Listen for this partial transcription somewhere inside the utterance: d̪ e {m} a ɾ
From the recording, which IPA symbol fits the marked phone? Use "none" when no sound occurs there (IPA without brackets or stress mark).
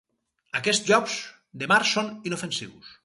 m